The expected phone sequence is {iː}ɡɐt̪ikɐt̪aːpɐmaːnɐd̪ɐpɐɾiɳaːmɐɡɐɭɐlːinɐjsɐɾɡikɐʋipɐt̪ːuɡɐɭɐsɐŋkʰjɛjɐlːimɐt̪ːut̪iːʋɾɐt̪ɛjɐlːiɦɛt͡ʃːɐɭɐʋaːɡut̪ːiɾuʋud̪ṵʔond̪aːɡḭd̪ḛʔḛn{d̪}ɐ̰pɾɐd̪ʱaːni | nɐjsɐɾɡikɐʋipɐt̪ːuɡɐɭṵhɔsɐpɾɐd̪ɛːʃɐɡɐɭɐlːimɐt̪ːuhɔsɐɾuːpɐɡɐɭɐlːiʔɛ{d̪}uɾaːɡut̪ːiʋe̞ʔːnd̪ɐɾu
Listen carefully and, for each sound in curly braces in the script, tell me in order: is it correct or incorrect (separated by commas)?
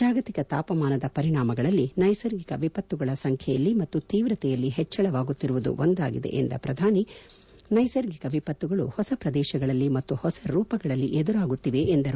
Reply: incorrect, correct, correct